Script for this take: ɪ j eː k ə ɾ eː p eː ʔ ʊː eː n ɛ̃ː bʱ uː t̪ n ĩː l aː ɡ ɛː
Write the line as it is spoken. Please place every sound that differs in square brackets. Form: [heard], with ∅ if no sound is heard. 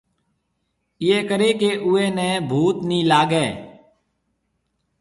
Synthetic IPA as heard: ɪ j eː k ə ɾ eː [k] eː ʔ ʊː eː n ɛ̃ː bʱ uː t̪ n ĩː l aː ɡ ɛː

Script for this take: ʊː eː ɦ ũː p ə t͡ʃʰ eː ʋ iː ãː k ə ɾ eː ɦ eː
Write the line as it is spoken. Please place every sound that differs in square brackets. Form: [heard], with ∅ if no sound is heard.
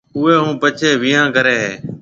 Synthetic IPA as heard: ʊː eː ɦ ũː p ə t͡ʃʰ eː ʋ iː ãː k ə ɾ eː ɦ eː

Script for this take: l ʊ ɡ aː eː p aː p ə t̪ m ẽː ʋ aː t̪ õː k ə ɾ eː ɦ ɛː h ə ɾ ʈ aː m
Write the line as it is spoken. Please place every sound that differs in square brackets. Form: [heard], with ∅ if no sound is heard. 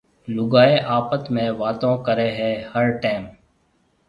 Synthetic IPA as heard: l ʊ ɡ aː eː [ʔ] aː p ə t̪ m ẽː ʋ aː t̪ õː k ə ɾ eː ɦ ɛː h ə ɾ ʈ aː m

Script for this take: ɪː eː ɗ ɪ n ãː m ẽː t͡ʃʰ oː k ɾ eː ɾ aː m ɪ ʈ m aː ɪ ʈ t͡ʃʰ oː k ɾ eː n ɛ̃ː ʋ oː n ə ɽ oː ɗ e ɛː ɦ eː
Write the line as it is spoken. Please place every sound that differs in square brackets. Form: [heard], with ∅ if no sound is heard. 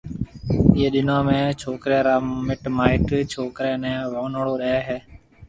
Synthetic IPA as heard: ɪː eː ɗ ɪ n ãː m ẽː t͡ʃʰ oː k ɾ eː ɾ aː m ɪ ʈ m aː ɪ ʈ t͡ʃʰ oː k ɾ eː n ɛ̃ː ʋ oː n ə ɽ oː ɗ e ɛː ɦ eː

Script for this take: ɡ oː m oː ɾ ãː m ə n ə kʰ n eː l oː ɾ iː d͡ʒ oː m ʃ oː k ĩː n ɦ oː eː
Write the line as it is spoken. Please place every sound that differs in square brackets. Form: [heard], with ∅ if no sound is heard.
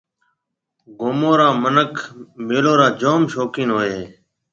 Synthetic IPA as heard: ɡ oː m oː ɾ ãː m ə n ə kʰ [m] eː l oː ɾ [aː] d͡ʒ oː m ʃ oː k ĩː n ɦ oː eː

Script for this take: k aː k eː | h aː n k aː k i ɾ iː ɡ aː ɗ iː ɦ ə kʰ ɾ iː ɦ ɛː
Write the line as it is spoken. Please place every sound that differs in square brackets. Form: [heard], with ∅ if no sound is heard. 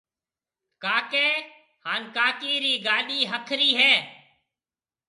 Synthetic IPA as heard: k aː k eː | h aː n k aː k [iː] ɾ iː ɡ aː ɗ iː ɦ ə kʰ ɾ iː ɦ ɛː

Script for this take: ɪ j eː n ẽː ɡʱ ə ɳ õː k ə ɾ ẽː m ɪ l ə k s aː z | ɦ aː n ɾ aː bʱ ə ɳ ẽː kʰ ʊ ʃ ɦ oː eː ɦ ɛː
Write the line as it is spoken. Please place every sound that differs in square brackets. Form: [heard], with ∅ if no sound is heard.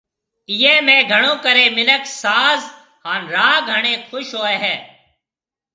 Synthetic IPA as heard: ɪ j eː [m] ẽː ɡʱ ə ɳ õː k ə ɾ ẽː m ɪ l ə k s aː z | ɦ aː n ɾ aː [ɡʱ] ə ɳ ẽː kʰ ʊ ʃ ɦ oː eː ɦ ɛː

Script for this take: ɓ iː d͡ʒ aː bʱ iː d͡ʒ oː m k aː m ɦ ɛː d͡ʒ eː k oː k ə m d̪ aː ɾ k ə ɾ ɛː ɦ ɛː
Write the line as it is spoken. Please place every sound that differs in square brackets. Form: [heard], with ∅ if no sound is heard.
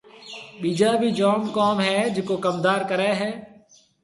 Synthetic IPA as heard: ɓ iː d͡ʒ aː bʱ iː d͡ʒ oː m k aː m ɦ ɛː d͡ʒ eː k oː k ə m d̪ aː ɾ k ə ɾ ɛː ɦ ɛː

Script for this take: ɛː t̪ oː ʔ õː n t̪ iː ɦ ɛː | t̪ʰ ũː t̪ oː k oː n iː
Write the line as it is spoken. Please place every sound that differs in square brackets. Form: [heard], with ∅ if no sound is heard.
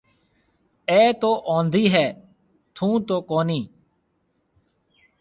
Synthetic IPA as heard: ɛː t̪ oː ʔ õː n [d̪] iː ɦ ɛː | t̪ʰ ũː t̪ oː k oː n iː

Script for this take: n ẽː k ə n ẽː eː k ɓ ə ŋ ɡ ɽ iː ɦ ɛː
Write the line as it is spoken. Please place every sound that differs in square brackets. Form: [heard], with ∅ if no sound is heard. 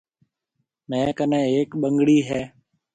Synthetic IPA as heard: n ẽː k ə n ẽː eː k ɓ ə ŋ ɡ ɽ iː ɦ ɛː

